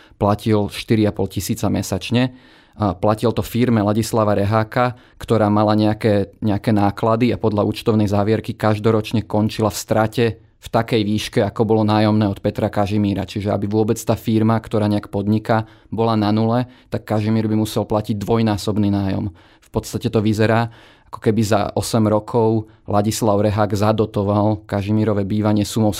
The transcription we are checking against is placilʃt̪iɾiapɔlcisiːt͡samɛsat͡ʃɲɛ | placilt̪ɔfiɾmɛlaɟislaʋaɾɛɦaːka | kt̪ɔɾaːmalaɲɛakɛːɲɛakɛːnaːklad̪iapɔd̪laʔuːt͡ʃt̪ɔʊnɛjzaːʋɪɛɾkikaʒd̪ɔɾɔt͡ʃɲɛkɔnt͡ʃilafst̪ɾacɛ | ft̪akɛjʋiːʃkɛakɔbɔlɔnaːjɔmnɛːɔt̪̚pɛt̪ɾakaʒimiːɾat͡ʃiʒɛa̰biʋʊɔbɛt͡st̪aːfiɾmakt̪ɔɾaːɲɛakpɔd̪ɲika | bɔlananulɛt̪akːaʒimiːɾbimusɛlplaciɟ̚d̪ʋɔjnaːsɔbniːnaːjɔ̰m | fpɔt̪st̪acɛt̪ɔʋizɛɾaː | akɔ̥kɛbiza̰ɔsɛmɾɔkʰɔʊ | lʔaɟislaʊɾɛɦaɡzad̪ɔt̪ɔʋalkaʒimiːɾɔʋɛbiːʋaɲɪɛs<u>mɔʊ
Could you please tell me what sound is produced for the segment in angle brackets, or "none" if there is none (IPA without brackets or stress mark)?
u